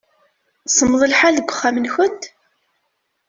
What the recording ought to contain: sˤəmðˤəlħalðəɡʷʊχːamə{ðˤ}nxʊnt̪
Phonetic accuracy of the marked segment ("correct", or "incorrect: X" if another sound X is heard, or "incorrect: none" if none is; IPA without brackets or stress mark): incorrect: none